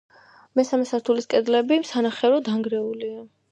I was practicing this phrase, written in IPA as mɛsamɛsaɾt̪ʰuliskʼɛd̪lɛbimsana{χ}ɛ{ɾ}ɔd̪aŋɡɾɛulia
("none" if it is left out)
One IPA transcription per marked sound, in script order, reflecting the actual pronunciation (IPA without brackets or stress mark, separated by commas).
χ, ɾ